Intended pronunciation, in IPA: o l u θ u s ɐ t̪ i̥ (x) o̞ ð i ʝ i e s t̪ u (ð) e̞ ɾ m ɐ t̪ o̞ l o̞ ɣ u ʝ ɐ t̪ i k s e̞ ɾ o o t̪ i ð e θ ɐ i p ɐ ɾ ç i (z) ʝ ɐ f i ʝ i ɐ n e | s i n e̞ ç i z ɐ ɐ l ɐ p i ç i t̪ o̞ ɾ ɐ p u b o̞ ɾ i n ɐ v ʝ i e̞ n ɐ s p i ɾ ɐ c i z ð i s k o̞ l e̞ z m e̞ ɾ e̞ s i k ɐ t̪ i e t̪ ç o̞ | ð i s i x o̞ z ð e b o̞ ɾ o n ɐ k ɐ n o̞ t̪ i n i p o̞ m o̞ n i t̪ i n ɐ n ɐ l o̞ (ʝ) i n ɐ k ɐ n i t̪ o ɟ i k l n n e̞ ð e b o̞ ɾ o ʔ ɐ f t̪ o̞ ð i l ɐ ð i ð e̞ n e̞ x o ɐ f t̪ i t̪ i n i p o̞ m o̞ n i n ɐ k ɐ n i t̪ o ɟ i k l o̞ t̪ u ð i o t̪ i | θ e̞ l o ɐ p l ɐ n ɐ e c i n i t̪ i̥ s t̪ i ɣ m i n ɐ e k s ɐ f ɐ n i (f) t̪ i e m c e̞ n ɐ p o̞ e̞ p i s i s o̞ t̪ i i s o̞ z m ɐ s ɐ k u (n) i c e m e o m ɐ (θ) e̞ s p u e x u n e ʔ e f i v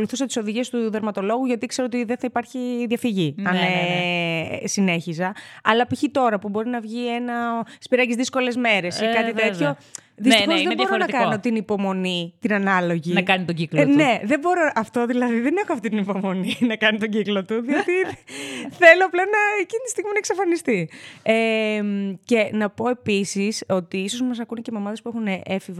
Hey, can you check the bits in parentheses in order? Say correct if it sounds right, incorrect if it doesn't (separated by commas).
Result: incorrect, correct, incorrect, correct, incorrect, correct, incorrect